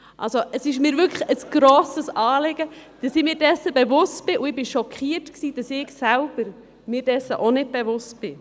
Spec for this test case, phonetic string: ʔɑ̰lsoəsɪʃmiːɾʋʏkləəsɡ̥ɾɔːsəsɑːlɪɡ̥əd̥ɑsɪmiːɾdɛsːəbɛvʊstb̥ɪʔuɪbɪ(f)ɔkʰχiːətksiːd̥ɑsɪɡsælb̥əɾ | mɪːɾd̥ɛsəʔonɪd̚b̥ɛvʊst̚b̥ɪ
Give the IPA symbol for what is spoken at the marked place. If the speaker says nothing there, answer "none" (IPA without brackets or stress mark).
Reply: ʃ